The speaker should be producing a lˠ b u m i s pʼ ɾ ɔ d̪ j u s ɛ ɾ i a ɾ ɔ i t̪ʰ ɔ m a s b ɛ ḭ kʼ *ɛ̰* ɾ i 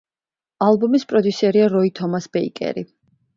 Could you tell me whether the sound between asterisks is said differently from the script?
no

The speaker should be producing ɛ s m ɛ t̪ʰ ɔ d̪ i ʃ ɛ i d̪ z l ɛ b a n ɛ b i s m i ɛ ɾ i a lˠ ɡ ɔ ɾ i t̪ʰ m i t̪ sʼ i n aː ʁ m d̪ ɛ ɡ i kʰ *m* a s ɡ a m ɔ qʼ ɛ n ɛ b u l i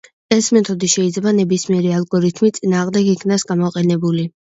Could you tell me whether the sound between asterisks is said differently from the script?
yes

